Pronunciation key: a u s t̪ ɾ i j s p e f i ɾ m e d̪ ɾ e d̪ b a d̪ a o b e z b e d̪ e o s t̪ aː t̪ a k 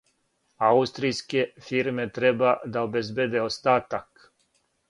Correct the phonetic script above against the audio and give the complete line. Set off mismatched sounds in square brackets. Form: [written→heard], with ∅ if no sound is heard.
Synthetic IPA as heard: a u s t̪ ɾ i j s [p→k] e f i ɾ m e [d̪→t̪] ɾ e [d̪→∅] b a d̪ a o b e z b e d̪ e o s t̪ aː t̪ a k